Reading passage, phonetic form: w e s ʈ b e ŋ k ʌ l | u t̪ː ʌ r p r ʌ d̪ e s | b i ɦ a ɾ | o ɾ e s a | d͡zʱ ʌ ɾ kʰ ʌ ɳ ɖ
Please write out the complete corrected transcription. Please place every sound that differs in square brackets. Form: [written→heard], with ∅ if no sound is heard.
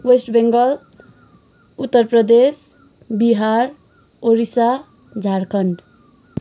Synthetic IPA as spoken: w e s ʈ b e ŋ [k→ɡ] ʌ l | u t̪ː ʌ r p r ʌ d̪ e s | b i ɦ a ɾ | o ɾ [e→i] s a | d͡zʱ [ʌ→a] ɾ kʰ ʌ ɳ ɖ